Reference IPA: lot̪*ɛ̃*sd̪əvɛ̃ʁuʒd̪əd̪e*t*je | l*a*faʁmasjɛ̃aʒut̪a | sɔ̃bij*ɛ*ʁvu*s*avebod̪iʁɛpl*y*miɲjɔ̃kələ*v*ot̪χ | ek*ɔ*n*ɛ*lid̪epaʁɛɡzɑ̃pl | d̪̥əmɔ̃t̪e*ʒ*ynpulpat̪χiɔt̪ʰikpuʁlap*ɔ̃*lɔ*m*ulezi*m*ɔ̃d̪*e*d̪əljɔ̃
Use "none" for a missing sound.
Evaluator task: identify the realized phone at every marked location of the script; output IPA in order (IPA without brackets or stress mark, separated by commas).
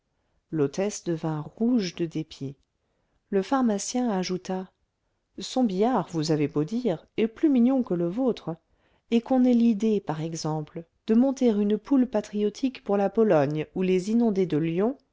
ɛ, p, ə, a, z, y, v, ɔ̃, ɛ, ʁ, ɔ, ɲ, n, e